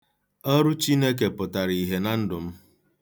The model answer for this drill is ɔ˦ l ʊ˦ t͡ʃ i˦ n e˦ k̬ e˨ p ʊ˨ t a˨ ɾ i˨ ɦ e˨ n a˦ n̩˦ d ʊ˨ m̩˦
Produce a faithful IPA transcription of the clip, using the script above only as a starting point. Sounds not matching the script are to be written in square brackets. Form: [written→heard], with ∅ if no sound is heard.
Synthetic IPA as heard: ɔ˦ [l→ɾ] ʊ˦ t͡ʃ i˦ n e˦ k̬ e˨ p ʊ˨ t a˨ ɾ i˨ ɦ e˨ n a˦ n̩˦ d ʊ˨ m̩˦